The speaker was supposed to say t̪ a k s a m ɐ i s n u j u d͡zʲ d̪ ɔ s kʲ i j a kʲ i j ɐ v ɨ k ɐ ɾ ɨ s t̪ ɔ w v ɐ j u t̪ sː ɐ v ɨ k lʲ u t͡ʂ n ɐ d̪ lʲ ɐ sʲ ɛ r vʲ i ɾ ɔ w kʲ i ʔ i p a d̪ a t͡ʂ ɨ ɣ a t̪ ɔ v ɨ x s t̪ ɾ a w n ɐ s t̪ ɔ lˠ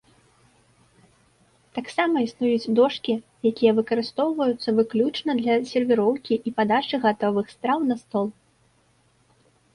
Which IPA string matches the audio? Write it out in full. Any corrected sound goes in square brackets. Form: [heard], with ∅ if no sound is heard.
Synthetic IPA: t̪ a k s a m ɐ i s n u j u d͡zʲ d̪ ɔ [ʂ] kʲ i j a kʲ i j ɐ v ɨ k ɐ ɾ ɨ s t̪ ɔ w v ɐ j u t̪ sː ɐ v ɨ k lʲ u t͡ʂ n ɐ d̪ lʲ ɐ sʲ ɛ r vʲ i ɾ ɔ w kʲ i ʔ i p a d̪ a t͡ʂ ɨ ɣ a t̪ ɔ v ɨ x s t̪ ɾ a w n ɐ s t̪ ɔ lˠ